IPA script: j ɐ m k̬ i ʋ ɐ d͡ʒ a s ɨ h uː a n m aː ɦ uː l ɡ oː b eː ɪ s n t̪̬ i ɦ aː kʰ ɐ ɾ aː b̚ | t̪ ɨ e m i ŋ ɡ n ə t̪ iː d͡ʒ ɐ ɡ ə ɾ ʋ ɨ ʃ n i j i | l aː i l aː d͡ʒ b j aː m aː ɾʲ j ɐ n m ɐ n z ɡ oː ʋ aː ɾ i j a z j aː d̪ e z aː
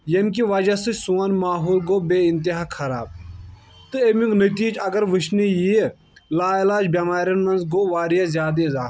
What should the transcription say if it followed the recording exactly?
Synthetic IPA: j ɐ m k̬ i ʋ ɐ d͡ʒ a s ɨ s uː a n m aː ɦ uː l ɡ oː b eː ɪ n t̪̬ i ɦ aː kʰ ɐ ɾ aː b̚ | t̪ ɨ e m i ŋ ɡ n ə t̪ iː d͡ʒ ɐ ɡ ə ɾ ʋ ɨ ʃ n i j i | l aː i l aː d͡ʒ b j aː m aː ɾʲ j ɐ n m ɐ n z ɡ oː ʋ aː ɾ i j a z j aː d̪ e z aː